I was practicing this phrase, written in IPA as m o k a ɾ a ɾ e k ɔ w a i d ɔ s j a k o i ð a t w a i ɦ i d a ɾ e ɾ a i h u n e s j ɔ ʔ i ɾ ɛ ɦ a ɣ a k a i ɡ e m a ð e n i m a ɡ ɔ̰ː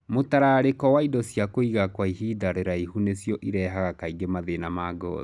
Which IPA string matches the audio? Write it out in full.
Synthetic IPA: m o t a ɾ a ɾ e k ɔ w a i d ɔ s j a k o i ɣ a k w a i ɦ i d a ɾ e ɾ a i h u n e s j ɔ ʔ i ɾ ɛ ɦ a ɣ a k a i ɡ e m a ð e n a m a ɡ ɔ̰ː